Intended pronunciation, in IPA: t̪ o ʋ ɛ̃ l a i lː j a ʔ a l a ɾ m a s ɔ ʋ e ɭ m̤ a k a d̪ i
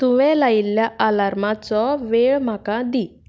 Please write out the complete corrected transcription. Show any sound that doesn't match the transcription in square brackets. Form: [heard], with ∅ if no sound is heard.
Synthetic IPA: t̪ [u] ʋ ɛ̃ l a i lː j a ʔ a l a ɾ m a [t͡s] ɔ ʋ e ɭ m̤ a k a d̪ i